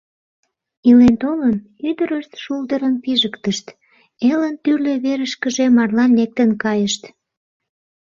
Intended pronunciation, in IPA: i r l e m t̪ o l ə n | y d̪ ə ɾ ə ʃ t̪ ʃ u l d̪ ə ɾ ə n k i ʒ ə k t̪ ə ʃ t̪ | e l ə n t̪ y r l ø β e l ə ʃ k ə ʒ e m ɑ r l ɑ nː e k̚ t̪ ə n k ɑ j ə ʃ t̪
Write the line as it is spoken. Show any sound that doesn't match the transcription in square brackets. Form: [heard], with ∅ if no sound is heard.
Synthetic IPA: i [∅] l e [n] t̪ o l ə n | y d̪ ə ɾ ə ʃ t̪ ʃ u l d̪ ə ɾ ə n [p] i ʒ ə k t̪ ə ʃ t̪ | e l ə n t̪ y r l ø β e [ɾ] ə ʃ k ə ʒ e m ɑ r l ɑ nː e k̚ t̪ ə n k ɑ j ə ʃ t̪